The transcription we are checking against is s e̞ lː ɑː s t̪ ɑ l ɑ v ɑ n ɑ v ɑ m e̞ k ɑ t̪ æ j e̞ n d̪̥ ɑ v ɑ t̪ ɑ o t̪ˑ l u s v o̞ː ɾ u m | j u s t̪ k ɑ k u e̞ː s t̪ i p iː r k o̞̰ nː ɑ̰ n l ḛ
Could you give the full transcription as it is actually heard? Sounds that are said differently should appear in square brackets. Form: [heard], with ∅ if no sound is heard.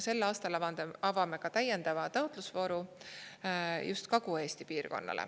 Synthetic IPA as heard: s e̞ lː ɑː s t̪ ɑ l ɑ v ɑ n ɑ v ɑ m e̞ k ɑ t̪ æ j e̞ n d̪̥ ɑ v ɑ t̪ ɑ o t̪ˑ l u s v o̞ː ɾ u [∅] | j u s t̪ k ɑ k u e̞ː s t̪ i p iː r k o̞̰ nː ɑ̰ [∅] l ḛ